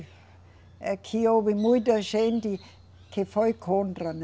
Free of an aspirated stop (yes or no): no